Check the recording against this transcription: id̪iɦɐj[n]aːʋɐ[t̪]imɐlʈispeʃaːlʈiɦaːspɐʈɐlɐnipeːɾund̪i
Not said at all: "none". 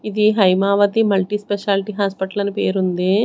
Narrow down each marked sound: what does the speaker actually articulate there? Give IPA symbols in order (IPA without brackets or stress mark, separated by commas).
m, t̪